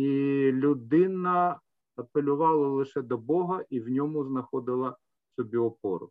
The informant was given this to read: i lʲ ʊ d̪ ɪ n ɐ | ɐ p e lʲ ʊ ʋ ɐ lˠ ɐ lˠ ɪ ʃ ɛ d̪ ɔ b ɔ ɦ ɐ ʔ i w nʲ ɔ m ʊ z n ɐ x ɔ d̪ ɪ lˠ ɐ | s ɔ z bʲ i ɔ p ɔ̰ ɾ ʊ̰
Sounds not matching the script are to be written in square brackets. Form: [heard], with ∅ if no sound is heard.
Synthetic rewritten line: i lʲ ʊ d̪ ɪ n ɐ | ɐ p e lʲ ʊ ʋ [ɑ] lˠ ɐ lˠ ɪ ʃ ɛ d̪ ɔ b ɔ ɦ ɐ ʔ i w nʲ ɔ m ʊ z n ɐ x ɔ d̪ ɪ lˠ ɐ | s ɔ [∅] bʲ i ɔ p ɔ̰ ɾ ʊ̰